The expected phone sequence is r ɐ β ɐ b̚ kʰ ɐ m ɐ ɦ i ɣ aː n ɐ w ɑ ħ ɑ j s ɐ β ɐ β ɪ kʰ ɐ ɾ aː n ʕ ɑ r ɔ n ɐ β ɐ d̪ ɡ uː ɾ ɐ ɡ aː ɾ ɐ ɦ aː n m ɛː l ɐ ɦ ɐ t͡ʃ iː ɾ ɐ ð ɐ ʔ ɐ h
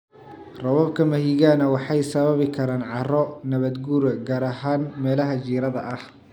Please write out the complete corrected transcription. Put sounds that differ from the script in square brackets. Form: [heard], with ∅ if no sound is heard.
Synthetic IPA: r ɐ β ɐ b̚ kʰ ɐ m ɐ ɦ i ɣ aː n ɐ w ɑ ħ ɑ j s ɐ β ɐ β ɪ kʰ ɐ ɾ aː n ʕ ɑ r ɔ n ɐ β ɐ d̪ ɡ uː ɾ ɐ ɡ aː ɾ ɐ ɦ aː n m ɛː l ɐ ɦ ɐ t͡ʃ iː ɾ ɐ ð ɐ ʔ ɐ h